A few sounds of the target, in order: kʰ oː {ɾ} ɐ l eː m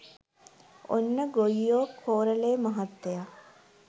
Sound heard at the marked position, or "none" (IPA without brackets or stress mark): ɾ